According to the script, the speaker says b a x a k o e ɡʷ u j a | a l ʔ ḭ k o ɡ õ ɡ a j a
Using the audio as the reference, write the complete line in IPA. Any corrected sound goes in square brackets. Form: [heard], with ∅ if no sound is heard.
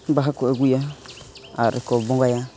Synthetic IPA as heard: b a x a k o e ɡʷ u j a | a [ɾ] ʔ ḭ k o [b] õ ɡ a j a